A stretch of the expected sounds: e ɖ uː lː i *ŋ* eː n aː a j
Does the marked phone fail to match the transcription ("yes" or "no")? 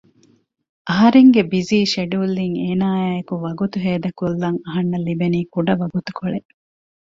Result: no